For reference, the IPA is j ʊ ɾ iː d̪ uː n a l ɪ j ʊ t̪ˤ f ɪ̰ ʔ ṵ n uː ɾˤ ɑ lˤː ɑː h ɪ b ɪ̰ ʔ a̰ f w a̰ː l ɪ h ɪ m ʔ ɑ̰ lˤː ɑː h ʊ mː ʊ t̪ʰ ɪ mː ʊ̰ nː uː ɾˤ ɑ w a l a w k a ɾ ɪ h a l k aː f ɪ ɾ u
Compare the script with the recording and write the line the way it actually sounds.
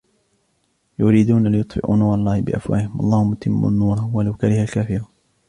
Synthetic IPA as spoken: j ʊ ɾ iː d̪ uː n a l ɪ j ʊ t̪ˤ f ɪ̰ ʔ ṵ n uː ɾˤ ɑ lˤː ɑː h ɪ b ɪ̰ ʔ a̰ f w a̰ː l ɪ h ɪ m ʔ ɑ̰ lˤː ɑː h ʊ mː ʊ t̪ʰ ɪ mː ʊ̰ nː uː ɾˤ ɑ w a l a w k a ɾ ɪ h a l k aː f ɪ ɾ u